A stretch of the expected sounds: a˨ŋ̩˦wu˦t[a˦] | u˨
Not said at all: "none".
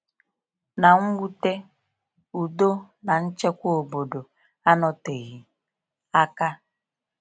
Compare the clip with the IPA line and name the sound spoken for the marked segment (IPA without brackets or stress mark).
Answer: e˦